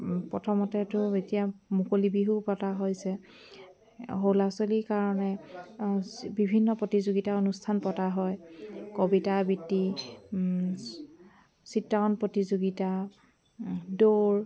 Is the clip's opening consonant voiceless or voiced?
voiceless